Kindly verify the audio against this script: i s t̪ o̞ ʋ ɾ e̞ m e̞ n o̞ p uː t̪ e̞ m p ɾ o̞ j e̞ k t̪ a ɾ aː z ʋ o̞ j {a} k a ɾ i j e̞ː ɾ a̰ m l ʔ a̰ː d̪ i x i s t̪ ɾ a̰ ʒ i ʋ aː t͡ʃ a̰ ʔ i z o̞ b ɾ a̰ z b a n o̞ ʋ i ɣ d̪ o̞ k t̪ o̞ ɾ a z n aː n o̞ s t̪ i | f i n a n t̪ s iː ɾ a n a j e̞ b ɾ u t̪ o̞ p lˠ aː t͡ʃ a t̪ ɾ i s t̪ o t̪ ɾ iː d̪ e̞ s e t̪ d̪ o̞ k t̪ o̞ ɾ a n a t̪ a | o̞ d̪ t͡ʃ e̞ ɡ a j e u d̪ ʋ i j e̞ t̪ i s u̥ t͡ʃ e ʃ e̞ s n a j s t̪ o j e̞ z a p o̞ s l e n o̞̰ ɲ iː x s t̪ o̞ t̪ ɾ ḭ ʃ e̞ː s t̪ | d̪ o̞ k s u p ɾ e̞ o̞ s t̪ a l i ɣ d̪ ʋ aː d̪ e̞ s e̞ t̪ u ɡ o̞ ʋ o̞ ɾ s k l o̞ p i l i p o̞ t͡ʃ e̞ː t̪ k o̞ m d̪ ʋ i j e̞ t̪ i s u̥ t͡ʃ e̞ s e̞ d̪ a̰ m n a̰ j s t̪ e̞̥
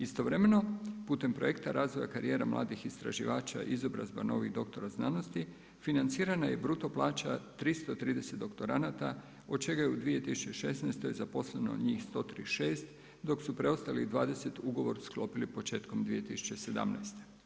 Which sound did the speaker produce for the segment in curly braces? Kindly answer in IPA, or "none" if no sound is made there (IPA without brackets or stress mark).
a